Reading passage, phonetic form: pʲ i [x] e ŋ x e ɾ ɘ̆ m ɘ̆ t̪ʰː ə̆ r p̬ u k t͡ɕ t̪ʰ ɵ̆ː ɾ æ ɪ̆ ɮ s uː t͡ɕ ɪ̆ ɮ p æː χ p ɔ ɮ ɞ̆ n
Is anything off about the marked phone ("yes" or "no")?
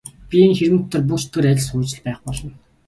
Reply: yes